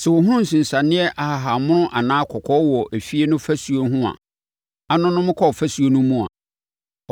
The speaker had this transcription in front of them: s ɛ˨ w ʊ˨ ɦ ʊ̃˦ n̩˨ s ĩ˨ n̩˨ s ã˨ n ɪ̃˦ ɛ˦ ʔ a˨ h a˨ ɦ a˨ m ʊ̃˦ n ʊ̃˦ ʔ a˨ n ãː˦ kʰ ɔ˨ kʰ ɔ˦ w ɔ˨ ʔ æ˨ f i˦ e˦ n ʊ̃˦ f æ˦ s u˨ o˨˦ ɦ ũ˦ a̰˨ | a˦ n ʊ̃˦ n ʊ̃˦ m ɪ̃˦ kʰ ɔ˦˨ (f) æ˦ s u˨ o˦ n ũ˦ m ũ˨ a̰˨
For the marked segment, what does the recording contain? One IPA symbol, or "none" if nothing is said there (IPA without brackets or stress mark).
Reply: f